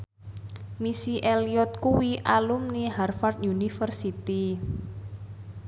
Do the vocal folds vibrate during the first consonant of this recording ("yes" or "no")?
yes